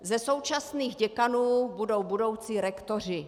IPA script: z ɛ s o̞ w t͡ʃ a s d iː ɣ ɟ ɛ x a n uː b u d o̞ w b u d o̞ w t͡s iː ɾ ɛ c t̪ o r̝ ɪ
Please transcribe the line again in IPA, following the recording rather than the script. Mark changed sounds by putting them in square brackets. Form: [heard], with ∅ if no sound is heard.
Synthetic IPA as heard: z ɛ s o̞ w t͡ʃ a s [n] iː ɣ ɟ ɛ [k] a n uː b u d o̞ w b u d o̞ w t͡s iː ɾ ɛ [k] t̪ o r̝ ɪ